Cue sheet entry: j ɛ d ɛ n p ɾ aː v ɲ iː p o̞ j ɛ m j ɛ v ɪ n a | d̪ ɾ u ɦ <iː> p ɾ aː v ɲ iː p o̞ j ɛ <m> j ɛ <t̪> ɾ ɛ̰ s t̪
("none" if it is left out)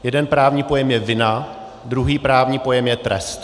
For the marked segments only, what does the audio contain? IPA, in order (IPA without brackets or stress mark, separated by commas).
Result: iː, m, t̪